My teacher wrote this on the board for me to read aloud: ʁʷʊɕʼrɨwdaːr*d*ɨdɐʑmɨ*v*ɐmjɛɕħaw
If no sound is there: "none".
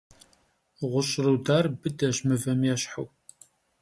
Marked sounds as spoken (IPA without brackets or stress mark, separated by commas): b, v